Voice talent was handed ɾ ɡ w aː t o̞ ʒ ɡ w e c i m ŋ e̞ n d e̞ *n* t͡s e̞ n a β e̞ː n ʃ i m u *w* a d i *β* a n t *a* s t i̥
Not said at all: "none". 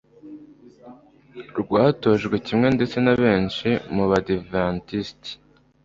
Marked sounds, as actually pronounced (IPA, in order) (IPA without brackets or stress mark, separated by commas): none, β, v, i